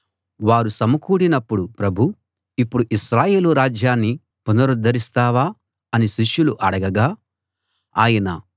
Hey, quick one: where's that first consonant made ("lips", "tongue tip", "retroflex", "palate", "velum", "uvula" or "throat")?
lips